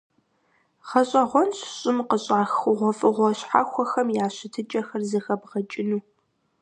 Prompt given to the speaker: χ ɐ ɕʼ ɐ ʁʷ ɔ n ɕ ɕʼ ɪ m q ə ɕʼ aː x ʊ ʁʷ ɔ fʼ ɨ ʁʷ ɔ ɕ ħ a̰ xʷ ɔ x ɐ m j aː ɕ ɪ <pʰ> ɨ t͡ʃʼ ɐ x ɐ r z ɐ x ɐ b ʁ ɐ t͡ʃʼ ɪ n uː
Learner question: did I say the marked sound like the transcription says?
no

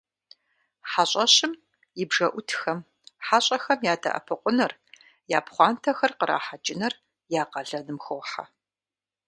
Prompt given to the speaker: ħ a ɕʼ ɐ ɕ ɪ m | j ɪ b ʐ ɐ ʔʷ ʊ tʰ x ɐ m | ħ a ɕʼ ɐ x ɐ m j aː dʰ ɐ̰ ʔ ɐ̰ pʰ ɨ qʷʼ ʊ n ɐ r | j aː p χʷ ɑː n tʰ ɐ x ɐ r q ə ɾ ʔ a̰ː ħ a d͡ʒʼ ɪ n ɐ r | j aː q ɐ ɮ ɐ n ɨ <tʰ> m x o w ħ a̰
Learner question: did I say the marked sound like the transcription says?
no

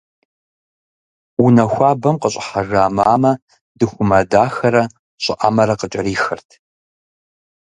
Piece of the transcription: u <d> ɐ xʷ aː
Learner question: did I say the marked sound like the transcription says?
no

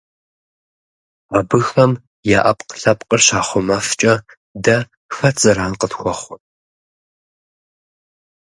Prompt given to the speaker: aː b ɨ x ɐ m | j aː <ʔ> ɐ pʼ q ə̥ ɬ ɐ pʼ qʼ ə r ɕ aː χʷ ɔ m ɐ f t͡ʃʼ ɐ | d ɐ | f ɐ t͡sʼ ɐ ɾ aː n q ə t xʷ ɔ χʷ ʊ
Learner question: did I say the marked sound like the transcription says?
yes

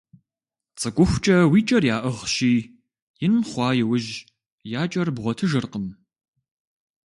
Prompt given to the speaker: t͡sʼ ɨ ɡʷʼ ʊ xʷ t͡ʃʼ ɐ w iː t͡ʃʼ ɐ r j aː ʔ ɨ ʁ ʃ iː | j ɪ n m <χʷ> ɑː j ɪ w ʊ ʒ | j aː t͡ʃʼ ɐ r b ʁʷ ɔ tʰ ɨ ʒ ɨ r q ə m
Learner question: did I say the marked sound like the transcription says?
yes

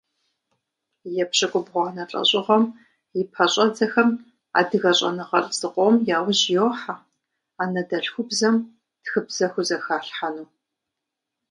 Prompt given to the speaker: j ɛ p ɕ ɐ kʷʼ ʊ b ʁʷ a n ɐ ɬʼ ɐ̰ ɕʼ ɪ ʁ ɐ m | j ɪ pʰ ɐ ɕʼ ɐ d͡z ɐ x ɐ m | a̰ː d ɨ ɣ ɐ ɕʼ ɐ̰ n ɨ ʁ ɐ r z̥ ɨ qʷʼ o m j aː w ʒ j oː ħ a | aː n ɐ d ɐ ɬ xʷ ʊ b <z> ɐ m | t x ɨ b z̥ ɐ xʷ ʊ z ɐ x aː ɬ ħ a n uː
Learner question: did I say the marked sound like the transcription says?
yes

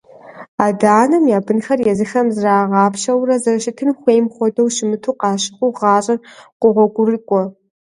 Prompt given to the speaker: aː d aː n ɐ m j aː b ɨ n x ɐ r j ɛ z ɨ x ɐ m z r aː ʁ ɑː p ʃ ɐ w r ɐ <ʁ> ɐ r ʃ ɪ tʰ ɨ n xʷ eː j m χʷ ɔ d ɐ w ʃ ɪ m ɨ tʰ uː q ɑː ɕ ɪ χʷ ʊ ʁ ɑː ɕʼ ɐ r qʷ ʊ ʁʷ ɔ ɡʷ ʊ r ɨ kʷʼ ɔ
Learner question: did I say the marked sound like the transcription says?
no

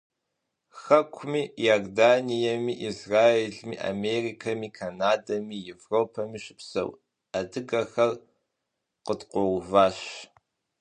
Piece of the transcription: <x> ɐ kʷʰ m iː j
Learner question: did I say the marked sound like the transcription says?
yes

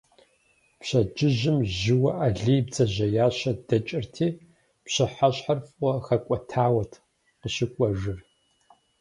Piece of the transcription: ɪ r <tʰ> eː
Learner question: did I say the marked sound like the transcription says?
yes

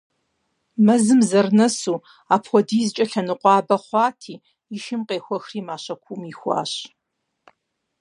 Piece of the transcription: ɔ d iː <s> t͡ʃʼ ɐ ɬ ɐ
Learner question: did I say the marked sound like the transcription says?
no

